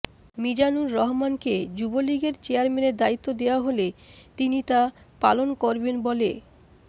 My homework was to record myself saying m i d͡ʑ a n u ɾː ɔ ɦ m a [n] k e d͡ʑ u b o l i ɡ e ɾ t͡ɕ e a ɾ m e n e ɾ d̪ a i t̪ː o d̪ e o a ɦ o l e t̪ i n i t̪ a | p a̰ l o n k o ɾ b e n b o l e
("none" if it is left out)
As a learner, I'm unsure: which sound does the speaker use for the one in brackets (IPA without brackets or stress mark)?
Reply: n